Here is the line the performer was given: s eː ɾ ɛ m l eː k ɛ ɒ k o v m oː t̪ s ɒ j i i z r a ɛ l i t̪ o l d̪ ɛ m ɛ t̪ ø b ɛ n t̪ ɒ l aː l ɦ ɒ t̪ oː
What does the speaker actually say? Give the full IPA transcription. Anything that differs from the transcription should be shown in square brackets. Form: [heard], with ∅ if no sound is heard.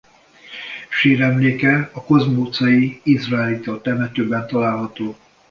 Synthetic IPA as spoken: [ʃ] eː ɾ ɛ m l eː k ɛ ɒ k o [z] m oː t̪ s ɒ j i i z r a ɛ l i t̪ o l [t̪] ɛ m ɛ t̪ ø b ɛ n t̪ ɒ l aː l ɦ ɒ t̪ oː